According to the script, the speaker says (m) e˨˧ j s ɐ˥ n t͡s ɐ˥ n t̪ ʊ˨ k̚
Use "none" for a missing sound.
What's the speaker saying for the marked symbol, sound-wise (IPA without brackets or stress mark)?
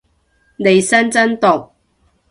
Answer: n